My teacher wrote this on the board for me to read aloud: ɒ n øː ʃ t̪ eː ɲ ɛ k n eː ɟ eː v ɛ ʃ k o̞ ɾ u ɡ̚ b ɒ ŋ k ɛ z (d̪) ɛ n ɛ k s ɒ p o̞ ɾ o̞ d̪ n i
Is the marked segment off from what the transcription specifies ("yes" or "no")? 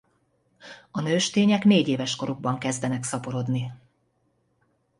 no